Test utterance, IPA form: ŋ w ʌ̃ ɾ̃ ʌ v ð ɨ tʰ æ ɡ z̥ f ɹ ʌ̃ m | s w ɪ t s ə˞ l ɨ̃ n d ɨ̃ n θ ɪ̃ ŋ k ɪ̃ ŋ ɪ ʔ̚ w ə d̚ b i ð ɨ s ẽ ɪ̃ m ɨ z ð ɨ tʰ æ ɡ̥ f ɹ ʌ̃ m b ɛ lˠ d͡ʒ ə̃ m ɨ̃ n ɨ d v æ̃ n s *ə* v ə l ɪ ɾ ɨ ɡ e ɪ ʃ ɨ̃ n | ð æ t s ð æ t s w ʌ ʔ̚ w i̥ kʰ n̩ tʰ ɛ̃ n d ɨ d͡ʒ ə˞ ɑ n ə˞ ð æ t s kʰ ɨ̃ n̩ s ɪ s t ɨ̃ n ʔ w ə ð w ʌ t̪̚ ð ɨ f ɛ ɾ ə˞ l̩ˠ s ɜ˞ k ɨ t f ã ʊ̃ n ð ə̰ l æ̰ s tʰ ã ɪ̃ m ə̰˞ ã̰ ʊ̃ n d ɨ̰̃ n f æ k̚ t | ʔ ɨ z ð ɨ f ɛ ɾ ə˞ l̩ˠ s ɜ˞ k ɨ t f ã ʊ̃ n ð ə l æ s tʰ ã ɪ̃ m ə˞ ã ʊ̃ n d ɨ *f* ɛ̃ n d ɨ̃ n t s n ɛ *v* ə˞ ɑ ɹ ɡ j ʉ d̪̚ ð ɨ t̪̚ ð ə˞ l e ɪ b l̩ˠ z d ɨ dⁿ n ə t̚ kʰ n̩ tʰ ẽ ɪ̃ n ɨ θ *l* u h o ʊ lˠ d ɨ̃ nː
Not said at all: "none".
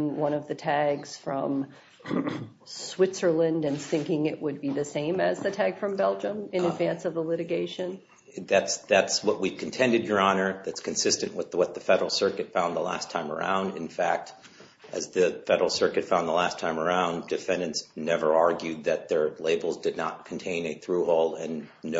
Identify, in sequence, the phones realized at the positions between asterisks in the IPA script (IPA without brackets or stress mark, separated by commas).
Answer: ʌ, f, v, ɹ